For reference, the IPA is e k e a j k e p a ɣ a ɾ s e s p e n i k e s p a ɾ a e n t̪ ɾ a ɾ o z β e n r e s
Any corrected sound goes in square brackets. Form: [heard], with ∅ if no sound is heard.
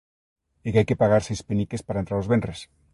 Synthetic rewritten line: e k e a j k e p a ɣ a ɾ s e s p e n i k e s p a ɾ a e n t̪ ɾ a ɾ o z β e n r e s